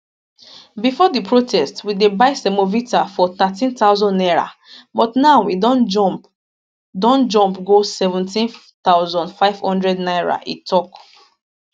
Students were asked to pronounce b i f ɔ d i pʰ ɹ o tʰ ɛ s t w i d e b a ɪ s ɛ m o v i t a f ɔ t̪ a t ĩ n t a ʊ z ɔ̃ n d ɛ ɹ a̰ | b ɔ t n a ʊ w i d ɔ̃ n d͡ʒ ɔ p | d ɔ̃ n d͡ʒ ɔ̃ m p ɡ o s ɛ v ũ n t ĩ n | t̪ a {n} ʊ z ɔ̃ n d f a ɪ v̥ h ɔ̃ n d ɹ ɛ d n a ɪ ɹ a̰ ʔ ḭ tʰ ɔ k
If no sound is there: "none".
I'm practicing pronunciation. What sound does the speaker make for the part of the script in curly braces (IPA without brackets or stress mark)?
none